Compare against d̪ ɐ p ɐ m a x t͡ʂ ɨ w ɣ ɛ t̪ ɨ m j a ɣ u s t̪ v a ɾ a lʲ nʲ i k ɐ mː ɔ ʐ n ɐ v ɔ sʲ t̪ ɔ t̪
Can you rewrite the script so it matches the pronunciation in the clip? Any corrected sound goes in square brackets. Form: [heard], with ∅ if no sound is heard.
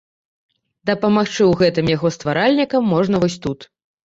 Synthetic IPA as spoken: d̪ ɐ p ɐ m a x t͡ʂ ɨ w ɣ ɛ t̪ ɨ m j a ɣ [ɔ] s t̪ v a ɾ a lʲ nʲ i k ɐ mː ɔ ʐ n ɐ v ɔ sʲ t̪ [u] t̪